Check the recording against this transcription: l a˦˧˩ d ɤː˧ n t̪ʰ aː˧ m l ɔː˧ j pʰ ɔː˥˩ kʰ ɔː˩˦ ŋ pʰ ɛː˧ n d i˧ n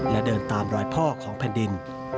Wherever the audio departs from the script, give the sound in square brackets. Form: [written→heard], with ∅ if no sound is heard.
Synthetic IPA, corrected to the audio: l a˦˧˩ d ɤː˧ n [t̪ʰ→t̪] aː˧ m [l→ɾ] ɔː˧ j pʰ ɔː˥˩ kʰ ɔː˩˦ ŋ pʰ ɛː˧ n d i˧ n

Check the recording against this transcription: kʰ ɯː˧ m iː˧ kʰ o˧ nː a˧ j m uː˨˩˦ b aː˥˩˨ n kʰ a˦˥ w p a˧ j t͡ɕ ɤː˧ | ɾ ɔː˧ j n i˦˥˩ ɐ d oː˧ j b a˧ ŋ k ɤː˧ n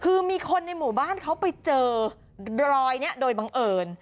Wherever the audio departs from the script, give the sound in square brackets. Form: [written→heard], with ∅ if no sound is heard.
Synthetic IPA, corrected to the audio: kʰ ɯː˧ m iː˧ kʰ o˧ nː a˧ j m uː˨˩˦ b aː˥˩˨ n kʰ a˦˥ w p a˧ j t͡ɕ ɤː˧ | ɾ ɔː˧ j n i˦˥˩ ɐ d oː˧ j b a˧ ŋ [k→ʔ] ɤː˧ n

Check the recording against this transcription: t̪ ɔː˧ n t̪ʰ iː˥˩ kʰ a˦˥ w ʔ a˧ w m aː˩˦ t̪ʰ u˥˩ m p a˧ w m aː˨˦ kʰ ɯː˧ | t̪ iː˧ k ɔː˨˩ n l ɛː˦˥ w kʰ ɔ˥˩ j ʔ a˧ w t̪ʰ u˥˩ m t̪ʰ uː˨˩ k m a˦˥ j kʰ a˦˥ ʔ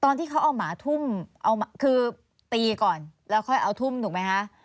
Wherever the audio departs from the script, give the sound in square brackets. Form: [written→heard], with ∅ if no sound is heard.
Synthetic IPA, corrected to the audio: t̪ ɔː˧ n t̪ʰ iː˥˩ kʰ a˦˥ w ʔ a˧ w m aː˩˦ t̪ʰ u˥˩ m [p→ʔ] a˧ w m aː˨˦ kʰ ɯː˧ | t̪ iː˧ k ɔː˨˩ n l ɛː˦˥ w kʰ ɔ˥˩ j ʔ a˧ w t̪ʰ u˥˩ m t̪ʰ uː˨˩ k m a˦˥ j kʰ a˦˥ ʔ

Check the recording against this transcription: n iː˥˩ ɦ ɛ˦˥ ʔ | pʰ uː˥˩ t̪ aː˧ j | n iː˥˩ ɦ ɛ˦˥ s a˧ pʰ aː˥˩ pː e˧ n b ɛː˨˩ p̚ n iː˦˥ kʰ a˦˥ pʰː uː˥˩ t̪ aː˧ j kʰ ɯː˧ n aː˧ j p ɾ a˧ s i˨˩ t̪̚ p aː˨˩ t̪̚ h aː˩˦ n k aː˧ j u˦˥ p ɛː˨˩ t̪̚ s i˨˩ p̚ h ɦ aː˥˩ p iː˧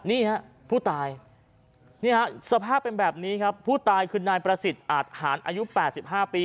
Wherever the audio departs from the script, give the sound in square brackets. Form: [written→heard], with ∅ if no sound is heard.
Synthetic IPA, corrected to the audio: n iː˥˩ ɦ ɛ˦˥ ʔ | pʰ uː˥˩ t̪ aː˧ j | n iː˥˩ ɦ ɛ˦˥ s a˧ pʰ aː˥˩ pː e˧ n b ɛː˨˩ p̚ n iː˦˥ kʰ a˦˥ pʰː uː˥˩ t̪ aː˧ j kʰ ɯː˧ n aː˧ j p ɾ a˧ s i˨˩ t̪̚ [p→ʔ] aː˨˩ t̪̚ h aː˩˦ n [k→ʔ] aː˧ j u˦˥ p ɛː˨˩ t̪̚ s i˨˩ p̚ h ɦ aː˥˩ p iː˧

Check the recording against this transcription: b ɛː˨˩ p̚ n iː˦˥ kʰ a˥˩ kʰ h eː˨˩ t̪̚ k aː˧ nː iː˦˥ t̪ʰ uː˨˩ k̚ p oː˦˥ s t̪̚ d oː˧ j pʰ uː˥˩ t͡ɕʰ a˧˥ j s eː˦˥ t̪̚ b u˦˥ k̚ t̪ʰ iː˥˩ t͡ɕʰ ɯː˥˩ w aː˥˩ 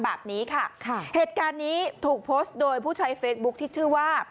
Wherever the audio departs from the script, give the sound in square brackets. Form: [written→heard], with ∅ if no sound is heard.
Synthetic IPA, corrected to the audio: b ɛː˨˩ p̚ n iː˦˥ kʰ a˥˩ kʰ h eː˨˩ t̪̚ k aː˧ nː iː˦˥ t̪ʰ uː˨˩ k̚ [p→pʰ] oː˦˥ s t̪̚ d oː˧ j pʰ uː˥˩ t͡ɕʰ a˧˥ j [s→f] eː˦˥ t̪̚ b u˦˥ k̚ t̪ʰ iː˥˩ t͡ɕʰ ɯː˥˩ w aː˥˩

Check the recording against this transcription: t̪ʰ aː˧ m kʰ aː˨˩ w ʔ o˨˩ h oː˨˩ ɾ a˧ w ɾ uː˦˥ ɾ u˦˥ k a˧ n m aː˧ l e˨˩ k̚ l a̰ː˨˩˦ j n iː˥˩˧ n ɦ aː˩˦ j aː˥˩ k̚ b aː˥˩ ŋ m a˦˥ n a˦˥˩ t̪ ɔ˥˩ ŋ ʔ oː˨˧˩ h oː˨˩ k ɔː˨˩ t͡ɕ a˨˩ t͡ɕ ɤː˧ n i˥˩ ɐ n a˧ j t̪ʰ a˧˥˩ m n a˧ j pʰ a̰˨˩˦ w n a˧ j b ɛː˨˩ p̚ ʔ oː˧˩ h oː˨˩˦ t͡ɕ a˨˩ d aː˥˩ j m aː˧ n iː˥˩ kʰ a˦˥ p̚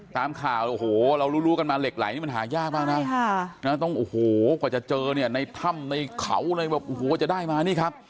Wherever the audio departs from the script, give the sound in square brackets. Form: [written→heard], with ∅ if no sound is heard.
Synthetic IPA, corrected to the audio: [t̪ʰ→t̪] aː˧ m kʰ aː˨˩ w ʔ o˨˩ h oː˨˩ ɾ a˧ w ɾ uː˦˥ ɾ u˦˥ k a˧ n m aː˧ l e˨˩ k̚ l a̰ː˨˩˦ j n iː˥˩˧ n ɦ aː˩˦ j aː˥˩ k̚ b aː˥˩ ŋ [m→n] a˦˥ n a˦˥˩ t̪ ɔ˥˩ ŋ ʔ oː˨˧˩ h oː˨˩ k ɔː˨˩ t͡ɕ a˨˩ t͡ɕ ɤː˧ n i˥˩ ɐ n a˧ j t̪ʰ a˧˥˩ m n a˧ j [pʰ→kʰ] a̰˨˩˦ w n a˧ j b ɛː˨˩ p̚ ʔ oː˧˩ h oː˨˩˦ t͡ɕ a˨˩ d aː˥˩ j m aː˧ n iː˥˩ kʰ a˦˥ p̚

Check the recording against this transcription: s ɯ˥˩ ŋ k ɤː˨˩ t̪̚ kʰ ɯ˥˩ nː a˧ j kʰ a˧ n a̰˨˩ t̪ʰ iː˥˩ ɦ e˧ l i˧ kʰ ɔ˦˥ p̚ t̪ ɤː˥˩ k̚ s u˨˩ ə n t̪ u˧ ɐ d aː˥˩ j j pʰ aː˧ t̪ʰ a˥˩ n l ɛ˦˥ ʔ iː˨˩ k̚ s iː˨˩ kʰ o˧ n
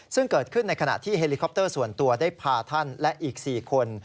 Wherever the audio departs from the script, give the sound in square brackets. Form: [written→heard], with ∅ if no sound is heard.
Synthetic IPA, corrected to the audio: s ɯ˥˩ ŋ k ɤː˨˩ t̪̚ kʰ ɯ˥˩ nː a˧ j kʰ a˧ n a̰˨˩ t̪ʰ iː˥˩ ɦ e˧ l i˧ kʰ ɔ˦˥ p̚ t̪ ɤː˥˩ [k̚→∅] s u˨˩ ə n t̪ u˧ ɐ d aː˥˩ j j pʰ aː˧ t̪ʰ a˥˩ n l ɛ˦˥ ʔ iː˨˩ k̚ s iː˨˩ kʰ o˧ n

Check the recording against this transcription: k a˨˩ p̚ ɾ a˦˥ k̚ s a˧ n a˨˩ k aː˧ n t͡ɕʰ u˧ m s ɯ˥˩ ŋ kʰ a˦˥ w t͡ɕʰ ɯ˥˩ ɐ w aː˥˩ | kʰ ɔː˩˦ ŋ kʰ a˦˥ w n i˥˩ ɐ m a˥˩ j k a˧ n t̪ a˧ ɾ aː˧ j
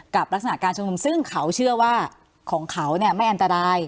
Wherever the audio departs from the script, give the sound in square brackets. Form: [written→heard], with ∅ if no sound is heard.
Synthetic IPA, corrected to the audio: k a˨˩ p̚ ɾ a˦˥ k̚ s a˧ n a˨˩ k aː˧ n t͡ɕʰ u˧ m s ɯ˥˩ ŋ kʰ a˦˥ w t͡ɕʰ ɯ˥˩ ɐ w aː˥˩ | kʰ ɔː˩˦ ŋ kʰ a˦˥ w n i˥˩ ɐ m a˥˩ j [k→ʔ] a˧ n t̪ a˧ ɾ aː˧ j

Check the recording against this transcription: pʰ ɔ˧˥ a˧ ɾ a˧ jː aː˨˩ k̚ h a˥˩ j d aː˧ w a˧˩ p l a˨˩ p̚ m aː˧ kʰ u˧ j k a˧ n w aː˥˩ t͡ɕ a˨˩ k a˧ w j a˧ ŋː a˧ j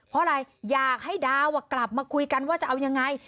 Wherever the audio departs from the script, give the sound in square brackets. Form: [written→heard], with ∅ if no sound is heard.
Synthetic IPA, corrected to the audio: pʰ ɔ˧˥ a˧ ɾ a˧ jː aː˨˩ k̚ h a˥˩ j d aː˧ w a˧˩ [p→k] l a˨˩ p̚ m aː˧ kʰ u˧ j k a˧ n w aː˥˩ t͡ɕ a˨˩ [k→ʔ] a˧ w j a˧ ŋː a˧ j

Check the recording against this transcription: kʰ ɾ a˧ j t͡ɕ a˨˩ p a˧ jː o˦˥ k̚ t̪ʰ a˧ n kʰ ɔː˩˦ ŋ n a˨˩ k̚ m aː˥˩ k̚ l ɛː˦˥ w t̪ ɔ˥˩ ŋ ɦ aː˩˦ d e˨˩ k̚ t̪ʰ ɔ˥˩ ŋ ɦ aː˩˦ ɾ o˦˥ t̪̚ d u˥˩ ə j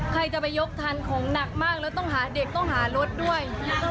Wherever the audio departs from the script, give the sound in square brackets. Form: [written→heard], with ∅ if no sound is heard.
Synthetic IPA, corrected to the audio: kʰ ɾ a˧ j t͡ɕ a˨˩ p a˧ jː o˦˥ k̚ t̪ʰ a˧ n kʰ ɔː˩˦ ŋ n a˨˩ k̚ m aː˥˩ k̚ l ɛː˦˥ w t̪ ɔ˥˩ ŋ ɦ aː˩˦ d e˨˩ k̚ [t̪ʰ→t̪] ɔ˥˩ ŋ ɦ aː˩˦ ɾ o˦˥ t̪̚ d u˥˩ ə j

